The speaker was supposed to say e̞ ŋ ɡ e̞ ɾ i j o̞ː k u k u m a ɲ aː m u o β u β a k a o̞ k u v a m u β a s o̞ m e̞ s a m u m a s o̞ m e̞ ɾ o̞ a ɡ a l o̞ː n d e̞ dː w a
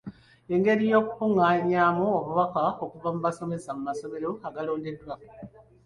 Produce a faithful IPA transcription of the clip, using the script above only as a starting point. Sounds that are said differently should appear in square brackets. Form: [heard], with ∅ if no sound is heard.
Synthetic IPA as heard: e̞ ŋ ɡ e̞ ɾ i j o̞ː k u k u [ŋ] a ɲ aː m u o β u β a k a o̞ k u v a m u β a s o̞ m e̞ s a m u m a s o̞ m e̞ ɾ o̞ a ɡ a l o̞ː n d e̞ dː w a